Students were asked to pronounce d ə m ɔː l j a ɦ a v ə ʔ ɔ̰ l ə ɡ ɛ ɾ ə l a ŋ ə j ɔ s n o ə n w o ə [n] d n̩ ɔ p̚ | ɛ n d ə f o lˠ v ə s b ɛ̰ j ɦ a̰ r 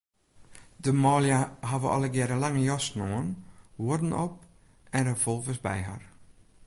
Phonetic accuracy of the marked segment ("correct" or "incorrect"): incorrect